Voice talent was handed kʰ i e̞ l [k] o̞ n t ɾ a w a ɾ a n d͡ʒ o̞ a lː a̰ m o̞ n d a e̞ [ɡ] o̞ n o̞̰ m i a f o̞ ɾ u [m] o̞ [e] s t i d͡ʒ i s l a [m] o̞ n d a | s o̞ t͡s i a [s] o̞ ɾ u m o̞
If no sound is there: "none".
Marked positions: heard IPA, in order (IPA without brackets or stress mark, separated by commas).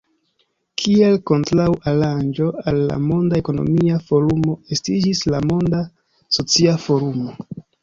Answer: k, k, m, e, m, f